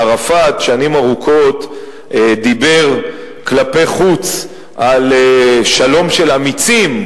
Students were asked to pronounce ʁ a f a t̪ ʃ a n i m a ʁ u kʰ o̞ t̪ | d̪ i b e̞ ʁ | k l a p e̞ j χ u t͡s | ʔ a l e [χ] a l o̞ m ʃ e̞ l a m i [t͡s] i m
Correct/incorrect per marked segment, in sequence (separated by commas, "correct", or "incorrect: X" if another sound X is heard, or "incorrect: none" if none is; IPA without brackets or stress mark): incorrect: ʃ, correct